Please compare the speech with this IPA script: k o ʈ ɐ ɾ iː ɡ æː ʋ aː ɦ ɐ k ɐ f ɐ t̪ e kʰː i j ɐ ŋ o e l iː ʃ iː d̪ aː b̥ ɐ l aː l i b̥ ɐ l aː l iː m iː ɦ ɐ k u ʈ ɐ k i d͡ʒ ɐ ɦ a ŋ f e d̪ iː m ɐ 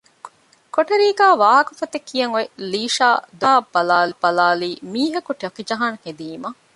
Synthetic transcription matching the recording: k o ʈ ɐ ɾ iː ɡ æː ʋ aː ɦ ɐ k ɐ f ɐ t̪ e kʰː i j ɐ ŋ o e l iː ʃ aː d̪ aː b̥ ɐ l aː l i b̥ ɐ l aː l iː m iː ɦ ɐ k u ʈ ɐ k i d͡ʒ ɐ ɦ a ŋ h e d̪ iː m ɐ